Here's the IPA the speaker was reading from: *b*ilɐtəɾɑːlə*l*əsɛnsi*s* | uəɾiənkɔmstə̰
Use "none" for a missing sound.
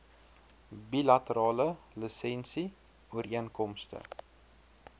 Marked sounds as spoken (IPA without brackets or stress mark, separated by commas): b, l, none